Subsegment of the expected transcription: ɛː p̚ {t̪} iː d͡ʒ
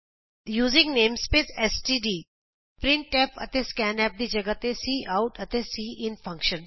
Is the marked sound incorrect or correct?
incorrect